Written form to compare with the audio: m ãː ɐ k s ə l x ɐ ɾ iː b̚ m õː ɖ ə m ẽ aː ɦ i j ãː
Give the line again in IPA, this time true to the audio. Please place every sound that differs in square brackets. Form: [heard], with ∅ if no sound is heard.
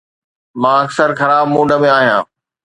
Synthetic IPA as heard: m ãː ɐ k s ə [ɾ] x ɐ ɾ [aː] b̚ m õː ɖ ə m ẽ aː ɦ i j ãː